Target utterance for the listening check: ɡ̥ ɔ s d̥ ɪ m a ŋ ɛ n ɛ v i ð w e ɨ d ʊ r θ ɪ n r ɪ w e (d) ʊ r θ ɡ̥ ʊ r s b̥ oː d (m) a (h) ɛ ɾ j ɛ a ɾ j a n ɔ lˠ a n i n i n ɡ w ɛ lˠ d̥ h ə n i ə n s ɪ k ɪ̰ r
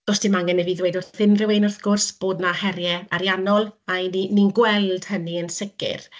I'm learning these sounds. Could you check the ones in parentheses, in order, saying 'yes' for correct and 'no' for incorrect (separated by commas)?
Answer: no, no, yes